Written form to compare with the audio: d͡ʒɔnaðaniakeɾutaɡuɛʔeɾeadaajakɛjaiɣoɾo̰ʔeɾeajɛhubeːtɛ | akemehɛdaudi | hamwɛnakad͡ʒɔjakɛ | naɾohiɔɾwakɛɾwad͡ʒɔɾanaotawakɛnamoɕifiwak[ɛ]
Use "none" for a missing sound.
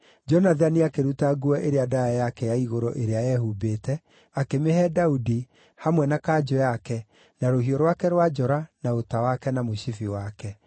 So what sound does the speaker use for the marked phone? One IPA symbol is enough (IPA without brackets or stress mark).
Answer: ɛ